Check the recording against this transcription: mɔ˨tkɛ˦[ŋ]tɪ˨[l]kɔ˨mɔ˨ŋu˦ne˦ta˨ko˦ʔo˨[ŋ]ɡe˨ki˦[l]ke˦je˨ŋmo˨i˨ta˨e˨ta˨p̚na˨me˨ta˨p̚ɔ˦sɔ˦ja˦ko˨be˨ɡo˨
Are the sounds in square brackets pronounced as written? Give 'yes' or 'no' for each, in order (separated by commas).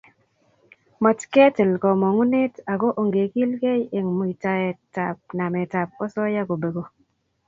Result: no, yes, yes, yes